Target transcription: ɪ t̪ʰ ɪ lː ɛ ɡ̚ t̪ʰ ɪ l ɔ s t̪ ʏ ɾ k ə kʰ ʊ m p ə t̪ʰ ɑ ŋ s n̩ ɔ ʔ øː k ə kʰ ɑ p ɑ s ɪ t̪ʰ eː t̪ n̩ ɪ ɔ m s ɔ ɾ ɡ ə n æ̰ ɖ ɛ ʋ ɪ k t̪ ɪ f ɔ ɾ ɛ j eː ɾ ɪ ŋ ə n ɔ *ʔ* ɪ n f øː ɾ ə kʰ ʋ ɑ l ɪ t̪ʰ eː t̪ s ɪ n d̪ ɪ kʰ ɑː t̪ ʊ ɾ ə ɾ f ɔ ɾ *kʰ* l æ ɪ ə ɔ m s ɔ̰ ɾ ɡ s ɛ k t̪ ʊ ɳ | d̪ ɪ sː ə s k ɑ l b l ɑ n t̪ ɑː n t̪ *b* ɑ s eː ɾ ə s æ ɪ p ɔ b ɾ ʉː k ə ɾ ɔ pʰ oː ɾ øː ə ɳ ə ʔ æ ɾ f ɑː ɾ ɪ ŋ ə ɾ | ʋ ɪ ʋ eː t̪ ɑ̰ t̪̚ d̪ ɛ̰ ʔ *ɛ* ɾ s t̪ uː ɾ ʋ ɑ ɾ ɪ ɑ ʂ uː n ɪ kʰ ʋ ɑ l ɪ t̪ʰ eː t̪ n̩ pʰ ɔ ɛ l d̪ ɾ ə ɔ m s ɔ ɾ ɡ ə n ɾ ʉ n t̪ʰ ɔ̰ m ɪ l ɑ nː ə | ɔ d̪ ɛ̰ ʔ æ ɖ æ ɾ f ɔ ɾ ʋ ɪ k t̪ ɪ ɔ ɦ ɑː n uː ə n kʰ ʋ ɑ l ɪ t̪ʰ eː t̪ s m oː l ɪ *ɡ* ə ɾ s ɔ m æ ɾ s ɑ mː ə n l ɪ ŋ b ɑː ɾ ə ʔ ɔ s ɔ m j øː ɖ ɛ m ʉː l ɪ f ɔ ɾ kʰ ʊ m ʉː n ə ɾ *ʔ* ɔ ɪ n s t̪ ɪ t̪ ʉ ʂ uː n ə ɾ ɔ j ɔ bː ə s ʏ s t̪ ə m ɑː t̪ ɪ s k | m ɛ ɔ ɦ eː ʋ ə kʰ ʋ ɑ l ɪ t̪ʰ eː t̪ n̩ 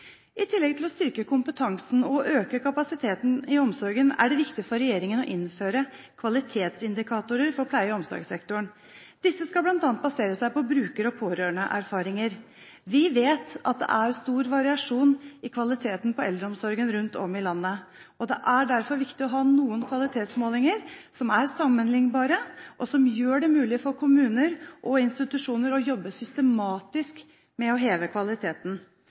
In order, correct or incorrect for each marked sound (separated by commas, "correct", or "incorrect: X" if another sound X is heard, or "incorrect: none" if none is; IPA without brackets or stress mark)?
correct, incorrect: pʰ, correct, incorrect: æ, incorrect: ŋ, correct